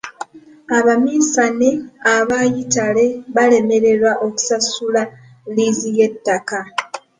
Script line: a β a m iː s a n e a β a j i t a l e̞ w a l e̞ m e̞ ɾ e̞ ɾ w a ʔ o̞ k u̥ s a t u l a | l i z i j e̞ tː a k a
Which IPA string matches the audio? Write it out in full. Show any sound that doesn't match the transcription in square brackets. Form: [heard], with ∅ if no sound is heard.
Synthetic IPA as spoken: a β a m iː s a n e a β a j i t a l e̞ [β] a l e̞ m e̞ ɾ e̞ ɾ w a ʔ o̞ k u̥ s a [s] u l a | l i z i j e̞ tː a k a